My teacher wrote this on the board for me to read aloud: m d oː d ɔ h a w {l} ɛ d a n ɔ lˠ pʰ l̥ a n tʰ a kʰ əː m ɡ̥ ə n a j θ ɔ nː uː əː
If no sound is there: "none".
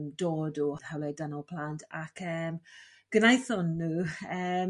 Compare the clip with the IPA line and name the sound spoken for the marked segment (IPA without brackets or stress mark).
l